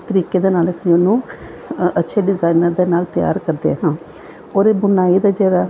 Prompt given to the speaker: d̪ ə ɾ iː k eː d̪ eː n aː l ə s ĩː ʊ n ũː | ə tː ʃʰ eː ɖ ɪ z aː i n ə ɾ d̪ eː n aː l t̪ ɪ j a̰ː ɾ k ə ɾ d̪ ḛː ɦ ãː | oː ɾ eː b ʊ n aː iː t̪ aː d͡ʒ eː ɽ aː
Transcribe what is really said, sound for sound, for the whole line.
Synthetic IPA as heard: t̪ ə ɾ iː k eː d̪ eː n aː l ə s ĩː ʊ n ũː | ə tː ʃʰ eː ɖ ɪ z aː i n ə ɾ d̪ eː n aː l t̪ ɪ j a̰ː ɾ k ə ɾ d̪ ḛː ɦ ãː | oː ɾ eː b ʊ n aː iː d̪ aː d͡ʒ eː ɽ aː